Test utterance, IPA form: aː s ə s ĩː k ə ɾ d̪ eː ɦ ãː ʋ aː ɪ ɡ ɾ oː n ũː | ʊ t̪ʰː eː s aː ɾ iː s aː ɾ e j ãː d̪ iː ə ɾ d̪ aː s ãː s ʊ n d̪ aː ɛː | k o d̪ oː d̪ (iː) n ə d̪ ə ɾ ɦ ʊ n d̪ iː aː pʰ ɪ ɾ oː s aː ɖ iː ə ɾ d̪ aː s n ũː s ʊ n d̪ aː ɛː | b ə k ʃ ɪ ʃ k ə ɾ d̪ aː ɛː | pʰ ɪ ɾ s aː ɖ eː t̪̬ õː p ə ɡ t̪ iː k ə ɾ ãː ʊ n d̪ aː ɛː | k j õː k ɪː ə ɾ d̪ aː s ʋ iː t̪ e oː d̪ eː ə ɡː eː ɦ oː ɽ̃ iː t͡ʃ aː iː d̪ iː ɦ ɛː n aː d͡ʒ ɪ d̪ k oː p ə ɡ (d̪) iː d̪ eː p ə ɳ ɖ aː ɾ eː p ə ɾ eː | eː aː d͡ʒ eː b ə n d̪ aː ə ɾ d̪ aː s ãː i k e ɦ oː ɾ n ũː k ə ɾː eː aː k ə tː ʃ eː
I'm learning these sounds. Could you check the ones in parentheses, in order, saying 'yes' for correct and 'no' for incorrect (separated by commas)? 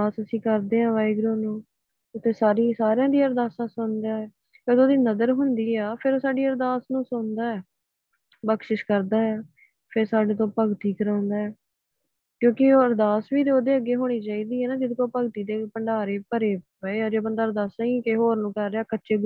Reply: yes, no